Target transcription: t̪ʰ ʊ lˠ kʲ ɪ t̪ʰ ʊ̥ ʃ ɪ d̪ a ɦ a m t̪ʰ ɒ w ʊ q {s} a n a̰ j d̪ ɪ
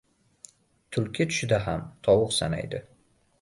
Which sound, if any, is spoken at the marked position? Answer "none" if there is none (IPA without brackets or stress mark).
s